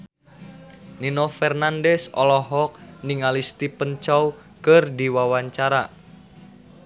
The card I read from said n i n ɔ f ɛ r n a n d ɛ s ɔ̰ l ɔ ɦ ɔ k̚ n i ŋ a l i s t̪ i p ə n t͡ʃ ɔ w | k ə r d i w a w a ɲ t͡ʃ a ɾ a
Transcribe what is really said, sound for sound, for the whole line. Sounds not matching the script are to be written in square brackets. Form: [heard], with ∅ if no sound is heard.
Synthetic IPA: n i n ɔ f ɛ r n a n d ɛ s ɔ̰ l ɔ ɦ ɔ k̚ n i ŋ a l i s t̪ i p ə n t͡ʃ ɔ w | k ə r d i w a w a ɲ t͡ʃ a ɾ a